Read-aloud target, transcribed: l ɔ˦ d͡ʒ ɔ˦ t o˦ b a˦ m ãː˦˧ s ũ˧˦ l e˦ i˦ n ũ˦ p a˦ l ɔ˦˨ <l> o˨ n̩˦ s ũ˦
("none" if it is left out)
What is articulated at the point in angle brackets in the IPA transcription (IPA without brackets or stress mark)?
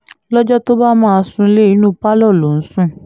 l